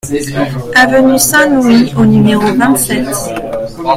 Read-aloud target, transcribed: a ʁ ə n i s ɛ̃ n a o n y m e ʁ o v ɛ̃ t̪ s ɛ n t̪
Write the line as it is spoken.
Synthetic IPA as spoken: a v ə n y s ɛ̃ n i o n y m e ʁ o v ɛ̃ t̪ s ɛ t̪